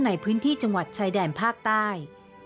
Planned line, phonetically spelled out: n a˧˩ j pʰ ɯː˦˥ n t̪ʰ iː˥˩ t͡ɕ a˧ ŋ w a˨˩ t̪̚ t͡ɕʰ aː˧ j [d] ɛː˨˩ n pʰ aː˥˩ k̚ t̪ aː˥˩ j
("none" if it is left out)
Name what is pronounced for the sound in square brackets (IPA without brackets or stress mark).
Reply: d